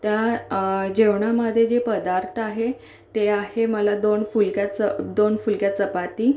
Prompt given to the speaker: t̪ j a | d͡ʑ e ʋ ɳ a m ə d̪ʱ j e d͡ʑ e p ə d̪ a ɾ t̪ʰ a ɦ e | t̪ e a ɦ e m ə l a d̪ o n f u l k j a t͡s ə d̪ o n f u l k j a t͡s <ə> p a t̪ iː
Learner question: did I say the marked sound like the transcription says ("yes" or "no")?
yes